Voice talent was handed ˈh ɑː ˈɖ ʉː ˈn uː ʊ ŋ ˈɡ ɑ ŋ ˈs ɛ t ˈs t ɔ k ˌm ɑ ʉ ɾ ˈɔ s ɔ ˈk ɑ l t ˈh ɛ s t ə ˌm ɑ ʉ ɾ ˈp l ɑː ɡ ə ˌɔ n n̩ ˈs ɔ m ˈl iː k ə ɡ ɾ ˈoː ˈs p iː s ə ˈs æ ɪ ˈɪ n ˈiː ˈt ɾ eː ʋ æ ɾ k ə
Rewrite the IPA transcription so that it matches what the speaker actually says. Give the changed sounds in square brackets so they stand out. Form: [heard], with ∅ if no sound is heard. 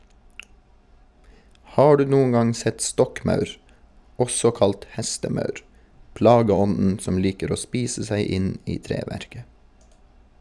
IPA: ˈh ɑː ˈɖ ʉː ˈn uː ʊ ŋ ˈɡ ɑ ŋ ˈs ɛ t ˈs t ɔ k ˌm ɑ ʉ ɾ ˈɔ s ɔ ˈk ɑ l t ˈh ɛ s t ə ˌm ɑ ʉ ɾ ˈp l ɑː ɡ ə ˌɔ n n̩ ˈs ɔ m ˈl iː k ə [∅] ɾ ˈoː ˈs p iː s ə ˈs æ ɪ ˈɪ n ˈiː ˈt ɾ eː ʋ æ ɾ k ə